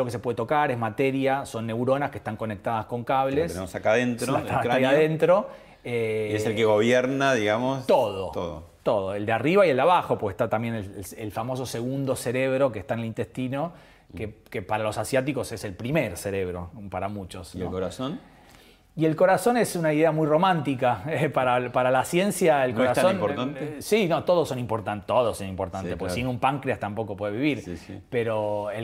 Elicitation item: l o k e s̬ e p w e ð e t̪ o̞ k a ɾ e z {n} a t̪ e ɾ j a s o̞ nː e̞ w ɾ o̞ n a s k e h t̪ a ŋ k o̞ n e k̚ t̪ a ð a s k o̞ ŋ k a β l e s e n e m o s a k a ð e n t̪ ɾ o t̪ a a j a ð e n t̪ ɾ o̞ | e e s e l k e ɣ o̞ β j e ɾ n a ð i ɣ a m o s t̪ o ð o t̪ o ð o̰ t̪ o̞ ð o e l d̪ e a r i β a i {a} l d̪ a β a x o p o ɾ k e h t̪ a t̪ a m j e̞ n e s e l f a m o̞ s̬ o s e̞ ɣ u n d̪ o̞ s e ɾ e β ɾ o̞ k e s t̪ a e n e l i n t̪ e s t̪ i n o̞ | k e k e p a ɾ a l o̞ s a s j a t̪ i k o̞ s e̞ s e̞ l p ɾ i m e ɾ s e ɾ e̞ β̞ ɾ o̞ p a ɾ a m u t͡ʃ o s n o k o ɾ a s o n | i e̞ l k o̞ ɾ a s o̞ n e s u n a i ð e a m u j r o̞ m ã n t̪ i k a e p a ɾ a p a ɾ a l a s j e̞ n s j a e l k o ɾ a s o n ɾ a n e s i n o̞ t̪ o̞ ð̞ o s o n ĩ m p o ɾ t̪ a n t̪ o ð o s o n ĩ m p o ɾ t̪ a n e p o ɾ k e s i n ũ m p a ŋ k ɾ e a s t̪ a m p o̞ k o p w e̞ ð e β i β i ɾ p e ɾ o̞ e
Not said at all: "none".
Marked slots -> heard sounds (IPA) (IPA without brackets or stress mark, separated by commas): m, e